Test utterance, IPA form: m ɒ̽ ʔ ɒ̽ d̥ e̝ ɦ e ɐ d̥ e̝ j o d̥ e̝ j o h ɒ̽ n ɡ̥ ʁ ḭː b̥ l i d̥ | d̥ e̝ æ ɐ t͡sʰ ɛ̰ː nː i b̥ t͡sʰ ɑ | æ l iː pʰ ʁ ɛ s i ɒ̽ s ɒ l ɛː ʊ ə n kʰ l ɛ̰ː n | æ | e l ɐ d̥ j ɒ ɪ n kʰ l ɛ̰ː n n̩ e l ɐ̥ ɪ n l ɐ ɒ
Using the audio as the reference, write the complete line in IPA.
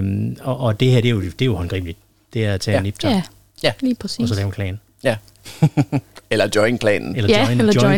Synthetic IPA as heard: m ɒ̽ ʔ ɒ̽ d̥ e̝ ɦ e ɐ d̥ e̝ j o d̥ e̝ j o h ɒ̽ n ɡ̥ ʁ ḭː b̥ l i d̥ | d̥ e̝ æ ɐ t͡sʰ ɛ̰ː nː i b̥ t͡sʰ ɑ | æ l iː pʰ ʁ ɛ s i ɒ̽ s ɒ l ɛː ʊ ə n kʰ l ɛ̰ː n | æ | e l ɐ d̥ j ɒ ɪ n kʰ l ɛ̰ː n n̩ e l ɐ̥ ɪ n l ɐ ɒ